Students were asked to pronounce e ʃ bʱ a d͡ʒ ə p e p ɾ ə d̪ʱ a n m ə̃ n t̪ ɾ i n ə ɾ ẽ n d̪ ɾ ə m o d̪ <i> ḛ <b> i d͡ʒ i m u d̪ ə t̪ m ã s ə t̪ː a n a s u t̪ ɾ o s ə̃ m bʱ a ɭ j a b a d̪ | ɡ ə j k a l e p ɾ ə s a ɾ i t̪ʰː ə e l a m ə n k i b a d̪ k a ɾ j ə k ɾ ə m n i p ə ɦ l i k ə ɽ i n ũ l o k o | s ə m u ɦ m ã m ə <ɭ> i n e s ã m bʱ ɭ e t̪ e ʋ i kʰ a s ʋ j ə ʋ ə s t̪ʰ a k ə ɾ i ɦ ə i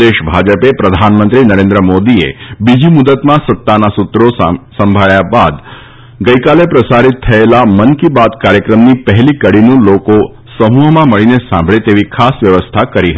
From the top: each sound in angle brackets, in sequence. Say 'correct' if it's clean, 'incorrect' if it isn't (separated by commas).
correct, correct, correct